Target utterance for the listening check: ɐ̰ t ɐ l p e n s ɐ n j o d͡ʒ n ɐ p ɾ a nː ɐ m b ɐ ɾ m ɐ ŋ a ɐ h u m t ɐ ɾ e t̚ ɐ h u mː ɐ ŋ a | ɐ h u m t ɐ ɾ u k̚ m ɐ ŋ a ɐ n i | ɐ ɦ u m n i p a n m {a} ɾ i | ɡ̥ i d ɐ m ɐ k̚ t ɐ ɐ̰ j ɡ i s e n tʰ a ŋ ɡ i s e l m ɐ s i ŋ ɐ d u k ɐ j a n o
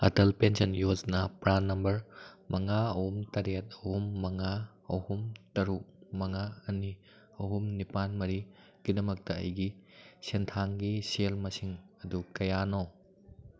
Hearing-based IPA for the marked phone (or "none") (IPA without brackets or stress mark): ɐ